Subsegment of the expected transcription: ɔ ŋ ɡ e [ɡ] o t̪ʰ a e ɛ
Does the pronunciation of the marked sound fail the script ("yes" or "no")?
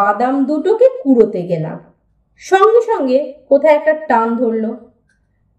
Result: yes